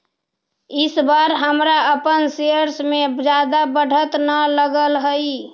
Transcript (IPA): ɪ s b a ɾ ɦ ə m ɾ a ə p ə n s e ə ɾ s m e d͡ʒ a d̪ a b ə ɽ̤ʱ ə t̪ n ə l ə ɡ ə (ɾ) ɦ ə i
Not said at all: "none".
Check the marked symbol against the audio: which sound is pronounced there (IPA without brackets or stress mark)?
l